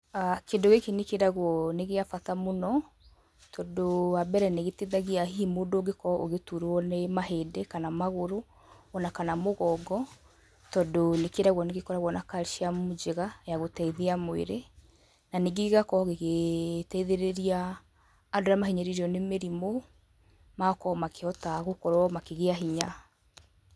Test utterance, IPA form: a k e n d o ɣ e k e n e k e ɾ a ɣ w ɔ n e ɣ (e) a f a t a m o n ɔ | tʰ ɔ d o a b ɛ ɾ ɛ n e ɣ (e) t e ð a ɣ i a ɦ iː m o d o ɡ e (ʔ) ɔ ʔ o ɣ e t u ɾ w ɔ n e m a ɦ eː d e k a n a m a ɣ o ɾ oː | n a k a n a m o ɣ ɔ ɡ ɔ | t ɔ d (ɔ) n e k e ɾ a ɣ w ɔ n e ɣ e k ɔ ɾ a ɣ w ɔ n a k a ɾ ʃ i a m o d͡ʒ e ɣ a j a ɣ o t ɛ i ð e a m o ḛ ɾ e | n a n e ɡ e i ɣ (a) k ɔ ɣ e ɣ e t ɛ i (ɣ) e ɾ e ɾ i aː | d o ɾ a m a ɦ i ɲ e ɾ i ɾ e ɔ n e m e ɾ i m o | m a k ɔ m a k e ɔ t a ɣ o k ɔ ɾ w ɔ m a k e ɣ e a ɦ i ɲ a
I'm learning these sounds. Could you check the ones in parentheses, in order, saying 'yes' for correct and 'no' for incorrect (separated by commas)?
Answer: yes, yes, no, no, yes, no